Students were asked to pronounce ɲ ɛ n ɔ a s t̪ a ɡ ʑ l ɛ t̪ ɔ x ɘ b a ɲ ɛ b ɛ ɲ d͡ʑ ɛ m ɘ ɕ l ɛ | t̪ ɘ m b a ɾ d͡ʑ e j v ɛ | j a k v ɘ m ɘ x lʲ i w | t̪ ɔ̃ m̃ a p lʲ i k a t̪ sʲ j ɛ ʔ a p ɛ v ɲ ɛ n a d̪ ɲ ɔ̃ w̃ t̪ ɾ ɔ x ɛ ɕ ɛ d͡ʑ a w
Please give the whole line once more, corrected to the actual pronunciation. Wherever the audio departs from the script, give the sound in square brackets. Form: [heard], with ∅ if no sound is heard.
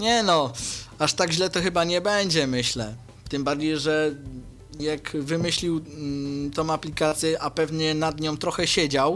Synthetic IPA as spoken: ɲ ɛ n ɔ a [ʂ] t̪ a ɡ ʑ l ɛ t̪ ɔ x ɘ b a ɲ ɛ b ɛ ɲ d͡ʑ ɛ m ɘ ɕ l ɛ | t̪ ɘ m b a ɾ d͡ʑ e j [ʐ] ɛ | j a k v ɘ m ɘ [ɕ] lʲ i w | t̪ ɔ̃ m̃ a p lʲ i k a t̪ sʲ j ɛ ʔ a p ɛ v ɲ ɛ n a d̪ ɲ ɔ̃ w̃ t̪ ɾ ɔ x ɛ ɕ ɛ d͡ʑ a w